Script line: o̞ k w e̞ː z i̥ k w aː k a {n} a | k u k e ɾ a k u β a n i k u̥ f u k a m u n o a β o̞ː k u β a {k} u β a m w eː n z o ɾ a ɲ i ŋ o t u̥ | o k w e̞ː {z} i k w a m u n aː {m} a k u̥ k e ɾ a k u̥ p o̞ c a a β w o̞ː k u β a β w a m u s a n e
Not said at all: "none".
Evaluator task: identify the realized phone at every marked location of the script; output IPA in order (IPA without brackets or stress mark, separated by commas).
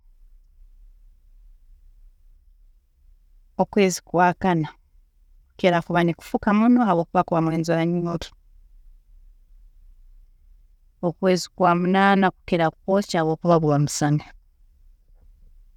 n, k, z, n